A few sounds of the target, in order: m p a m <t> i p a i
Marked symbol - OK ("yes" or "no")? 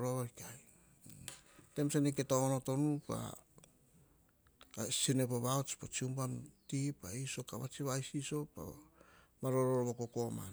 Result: yes